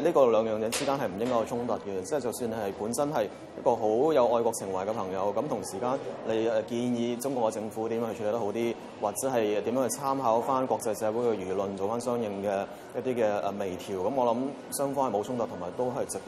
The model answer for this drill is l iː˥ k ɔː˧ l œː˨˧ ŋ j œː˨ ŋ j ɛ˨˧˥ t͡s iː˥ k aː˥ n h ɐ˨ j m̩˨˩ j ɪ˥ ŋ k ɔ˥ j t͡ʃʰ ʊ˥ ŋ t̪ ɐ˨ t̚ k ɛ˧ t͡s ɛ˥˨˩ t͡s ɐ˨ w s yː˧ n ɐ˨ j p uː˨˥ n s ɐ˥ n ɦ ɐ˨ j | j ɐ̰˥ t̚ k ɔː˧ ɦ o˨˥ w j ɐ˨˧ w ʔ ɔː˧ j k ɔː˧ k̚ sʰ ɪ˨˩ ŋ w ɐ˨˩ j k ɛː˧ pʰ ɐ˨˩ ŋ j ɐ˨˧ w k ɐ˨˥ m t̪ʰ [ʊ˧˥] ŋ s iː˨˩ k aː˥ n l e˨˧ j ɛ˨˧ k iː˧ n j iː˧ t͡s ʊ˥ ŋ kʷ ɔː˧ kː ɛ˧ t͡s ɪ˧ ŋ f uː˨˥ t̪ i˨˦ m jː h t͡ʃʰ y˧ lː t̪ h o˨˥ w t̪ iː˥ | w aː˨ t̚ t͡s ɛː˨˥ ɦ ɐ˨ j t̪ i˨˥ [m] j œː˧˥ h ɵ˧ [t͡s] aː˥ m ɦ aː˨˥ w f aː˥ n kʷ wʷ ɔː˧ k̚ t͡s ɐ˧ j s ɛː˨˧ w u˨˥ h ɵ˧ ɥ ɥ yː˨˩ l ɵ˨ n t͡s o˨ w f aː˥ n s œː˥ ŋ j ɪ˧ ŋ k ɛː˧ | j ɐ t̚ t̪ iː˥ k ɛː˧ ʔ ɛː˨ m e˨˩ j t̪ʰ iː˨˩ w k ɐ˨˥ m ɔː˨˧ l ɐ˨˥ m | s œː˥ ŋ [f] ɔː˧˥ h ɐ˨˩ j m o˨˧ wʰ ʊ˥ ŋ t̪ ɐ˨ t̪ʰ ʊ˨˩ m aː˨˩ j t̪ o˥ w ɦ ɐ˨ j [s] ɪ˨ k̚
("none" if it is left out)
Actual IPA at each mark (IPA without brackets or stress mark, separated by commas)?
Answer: ʊ˨˩, m, t͡sʰ, f, t͡s